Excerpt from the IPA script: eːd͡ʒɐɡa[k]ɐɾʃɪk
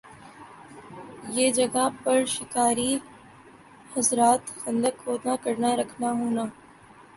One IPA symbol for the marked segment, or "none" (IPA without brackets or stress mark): p